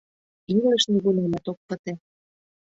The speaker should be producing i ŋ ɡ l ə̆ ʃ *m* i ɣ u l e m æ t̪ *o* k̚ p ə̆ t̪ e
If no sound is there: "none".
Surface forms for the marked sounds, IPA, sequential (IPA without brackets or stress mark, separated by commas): n, o